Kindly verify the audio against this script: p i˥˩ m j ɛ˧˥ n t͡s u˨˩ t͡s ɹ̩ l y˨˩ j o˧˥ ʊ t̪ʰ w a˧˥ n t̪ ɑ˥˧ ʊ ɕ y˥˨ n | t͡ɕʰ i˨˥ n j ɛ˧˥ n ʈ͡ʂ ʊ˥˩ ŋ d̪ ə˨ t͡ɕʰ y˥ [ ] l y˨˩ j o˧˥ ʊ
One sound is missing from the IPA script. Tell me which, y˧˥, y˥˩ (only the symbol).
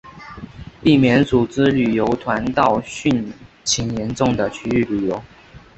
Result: y˥˩